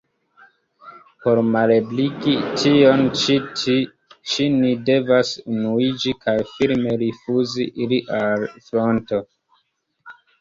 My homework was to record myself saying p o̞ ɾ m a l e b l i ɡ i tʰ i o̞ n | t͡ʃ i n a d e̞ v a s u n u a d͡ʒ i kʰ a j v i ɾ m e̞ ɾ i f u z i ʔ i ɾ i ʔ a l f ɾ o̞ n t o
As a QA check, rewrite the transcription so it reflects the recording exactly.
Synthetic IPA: p o̞ ɾ m a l e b l i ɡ i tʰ i o̞ n | t͡ʃ i n i d e̞ v a s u n u i d͡ʒ i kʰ a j f i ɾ m e̞ ɾ i f u z i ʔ i l i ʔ a l f ɾ o̞ n t o